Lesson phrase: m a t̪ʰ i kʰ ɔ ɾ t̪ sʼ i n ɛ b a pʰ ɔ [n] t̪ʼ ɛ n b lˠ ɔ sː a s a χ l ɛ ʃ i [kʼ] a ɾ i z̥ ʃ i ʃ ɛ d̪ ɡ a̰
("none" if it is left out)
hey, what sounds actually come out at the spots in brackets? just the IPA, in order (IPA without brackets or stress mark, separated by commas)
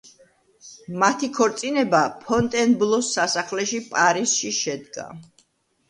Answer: n, pʼ